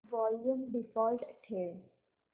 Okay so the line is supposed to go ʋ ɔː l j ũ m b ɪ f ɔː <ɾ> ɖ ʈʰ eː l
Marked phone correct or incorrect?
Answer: incorrect